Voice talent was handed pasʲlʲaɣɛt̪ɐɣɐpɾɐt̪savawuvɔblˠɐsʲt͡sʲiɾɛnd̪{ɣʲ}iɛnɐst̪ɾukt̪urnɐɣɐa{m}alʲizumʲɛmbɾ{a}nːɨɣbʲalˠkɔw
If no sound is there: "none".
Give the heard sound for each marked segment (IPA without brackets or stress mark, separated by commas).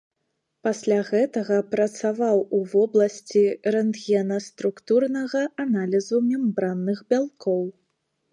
ɣʲ, n, a